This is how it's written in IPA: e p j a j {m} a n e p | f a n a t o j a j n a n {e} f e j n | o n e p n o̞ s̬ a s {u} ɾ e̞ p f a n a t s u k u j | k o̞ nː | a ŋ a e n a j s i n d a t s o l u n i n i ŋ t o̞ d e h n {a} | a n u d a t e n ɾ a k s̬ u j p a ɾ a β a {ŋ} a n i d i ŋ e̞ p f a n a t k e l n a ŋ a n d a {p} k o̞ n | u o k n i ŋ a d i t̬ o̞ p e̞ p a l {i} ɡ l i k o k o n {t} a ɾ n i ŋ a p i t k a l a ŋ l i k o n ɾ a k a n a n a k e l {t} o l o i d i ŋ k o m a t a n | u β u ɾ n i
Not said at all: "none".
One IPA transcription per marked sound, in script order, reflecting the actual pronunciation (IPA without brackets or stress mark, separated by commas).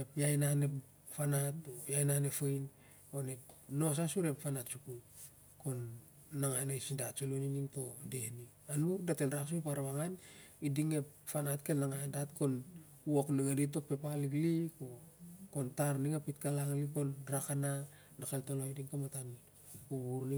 n, e, u, i, ŋ, t, i, t, t